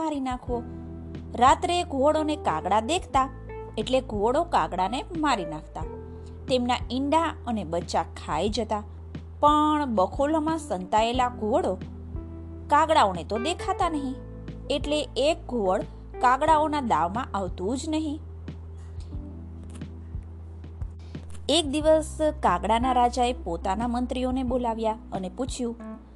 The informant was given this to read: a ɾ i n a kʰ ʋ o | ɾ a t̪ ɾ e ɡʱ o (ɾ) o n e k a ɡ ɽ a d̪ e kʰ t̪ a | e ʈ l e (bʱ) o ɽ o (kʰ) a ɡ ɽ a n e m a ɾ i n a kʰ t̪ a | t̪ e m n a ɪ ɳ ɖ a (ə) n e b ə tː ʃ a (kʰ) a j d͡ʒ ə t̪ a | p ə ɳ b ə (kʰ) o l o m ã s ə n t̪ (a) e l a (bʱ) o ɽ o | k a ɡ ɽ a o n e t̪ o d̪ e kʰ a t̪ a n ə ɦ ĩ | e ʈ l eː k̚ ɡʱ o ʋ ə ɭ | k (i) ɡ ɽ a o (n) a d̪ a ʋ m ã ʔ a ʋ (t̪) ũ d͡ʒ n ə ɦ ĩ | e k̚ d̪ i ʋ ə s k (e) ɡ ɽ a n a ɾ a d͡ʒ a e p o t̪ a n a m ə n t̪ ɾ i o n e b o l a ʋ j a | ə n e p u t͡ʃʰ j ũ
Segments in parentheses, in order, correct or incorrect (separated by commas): incorrect, incorrect, incorrect, correct, correct, correct, correct, incorrect, incorrect, correct, correct, incorrect